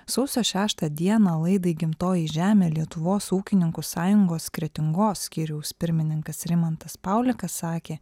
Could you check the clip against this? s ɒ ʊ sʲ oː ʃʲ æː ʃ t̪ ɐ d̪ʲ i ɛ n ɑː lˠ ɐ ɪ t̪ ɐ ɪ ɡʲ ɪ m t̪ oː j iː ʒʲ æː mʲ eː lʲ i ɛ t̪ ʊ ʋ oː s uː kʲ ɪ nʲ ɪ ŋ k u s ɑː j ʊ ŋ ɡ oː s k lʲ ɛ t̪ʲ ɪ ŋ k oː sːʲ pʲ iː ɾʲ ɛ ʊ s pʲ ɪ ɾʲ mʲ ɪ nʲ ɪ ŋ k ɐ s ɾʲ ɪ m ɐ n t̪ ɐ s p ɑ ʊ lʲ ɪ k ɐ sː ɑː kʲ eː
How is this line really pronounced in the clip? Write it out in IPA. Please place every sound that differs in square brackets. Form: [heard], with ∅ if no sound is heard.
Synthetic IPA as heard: s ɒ ʊ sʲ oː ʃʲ æː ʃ t̪ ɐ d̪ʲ i ɛ n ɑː lˠ ɐ ɪ [d̪] ɐ ɪ ɡʲ ɪ m t̪ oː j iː ʒʲ æː mʲ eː lʲ i ɛ t̪ ʊ ʋ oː s uː kʲ ɪ nʲ ɪ ŋ k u s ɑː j ʊ ŋ ɡ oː s k [ɾʲ] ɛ t̪ʲ ɪ ŋ [ɡ] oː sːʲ [kʲ] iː ɾʲ ɛ ʊ s pʲ ɪ ɾʲ mʲ ɪ nʲ ɪ ŋ k ɐ s ɾʲ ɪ m ɐ n t̪ ɐ s p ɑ ʊ lʲ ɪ k ɐ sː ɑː kʲ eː